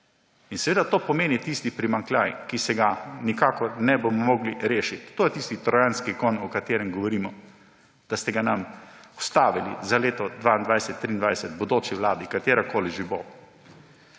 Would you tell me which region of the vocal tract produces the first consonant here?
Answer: tongue tip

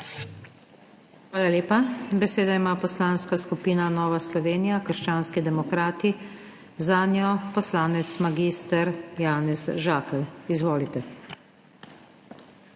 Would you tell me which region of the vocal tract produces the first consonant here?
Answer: velum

